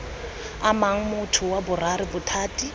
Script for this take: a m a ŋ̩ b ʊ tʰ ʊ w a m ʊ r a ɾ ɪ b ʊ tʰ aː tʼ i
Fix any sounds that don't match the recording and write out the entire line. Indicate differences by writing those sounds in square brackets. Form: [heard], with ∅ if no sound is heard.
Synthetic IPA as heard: a m a ŋ̩ [m] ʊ tʰ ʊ w a [b] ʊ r a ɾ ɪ b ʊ tʰ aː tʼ i